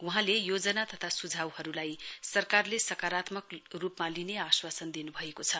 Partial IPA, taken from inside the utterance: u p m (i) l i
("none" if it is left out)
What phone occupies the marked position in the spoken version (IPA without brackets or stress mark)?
a